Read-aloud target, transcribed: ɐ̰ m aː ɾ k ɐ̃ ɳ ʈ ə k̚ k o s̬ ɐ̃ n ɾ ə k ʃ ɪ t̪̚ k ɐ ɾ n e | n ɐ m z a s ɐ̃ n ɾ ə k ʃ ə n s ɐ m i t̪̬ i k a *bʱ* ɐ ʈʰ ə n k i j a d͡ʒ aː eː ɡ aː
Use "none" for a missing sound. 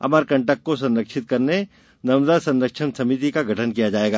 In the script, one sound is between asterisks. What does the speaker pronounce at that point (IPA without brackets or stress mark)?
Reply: ɡʱ